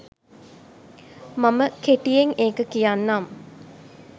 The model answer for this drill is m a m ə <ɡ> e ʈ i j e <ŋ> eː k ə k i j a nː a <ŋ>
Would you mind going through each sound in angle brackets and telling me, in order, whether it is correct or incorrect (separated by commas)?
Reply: incorrect, correct, incorrect